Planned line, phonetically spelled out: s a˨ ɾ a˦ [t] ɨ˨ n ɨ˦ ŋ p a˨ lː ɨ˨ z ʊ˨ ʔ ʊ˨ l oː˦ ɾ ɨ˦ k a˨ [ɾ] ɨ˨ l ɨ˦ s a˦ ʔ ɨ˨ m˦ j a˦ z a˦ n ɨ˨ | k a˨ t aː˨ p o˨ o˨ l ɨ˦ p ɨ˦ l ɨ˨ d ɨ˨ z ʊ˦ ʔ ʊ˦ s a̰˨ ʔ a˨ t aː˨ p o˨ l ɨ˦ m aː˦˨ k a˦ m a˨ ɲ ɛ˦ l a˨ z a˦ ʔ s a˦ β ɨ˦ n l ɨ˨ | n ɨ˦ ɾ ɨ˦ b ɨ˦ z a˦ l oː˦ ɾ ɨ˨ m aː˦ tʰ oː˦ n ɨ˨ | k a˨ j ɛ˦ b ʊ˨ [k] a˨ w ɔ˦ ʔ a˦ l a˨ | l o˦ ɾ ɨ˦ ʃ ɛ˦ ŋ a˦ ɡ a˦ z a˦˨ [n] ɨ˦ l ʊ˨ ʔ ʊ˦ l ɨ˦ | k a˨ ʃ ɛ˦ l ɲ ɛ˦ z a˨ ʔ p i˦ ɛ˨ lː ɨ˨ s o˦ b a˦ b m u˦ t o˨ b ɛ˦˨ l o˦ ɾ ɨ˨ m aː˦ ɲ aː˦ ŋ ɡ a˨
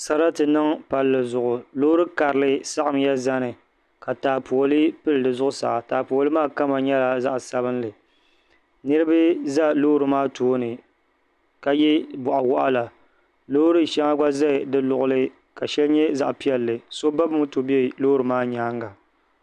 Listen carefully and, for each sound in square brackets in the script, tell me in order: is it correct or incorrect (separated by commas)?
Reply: correct, correct, incorrect, incorrect